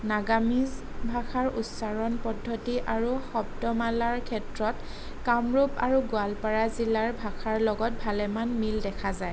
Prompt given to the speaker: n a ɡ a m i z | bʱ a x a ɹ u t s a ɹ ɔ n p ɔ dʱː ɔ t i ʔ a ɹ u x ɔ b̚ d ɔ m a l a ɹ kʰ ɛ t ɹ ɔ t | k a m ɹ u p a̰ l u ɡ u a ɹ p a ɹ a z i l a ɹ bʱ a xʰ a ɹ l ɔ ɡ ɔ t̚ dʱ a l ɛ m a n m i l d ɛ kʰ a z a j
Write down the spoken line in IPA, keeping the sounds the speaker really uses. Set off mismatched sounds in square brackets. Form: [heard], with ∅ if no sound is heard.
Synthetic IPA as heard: n a ɡ a m i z | bʱ a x a ɹ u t s a ɹ ɔ n p ɔ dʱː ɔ t i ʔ a ɹ u x ɔ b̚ d ɔ m a l a ɹ kʰ ɛ t ɹ ɔ t | k a m ɹ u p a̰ [ɹ] u ɡ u a [l] p a ɹ a z i l a ɹ bʱ a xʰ a ɹ l ɔ ɡ ɔ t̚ [bʱ] a l ɛ m a n m i l d ɛ kʰ a z a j